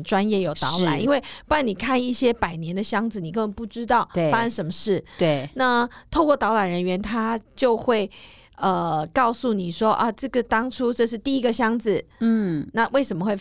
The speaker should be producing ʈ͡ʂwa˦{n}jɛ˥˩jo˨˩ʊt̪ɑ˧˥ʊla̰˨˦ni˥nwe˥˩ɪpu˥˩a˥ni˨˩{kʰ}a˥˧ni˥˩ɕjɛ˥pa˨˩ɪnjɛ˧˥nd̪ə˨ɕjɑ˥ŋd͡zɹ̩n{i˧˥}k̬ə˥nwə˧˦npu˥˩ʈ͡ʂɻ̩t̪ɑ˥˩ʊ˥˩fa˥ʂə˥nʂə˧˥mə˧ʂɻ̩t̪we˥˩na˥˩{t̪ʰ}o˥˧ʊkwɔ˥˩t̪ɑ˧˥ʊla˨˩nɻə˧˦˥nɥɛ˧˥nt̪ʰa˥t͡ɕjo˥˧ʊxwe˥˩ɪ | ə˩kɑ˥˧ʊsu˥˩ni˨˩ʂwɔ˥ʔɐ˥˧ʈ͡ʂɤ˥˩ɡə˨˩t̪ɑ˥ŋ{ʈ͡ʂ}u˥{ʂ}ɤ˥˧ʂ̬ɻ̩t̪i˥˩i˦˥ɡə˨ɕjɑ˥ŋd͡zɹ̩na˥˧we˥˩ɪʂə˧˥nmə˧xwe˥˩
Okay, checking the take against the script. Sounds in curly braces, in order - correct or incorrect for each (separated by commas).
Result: correct, correct, incorrect, correct, incorrect, incorrect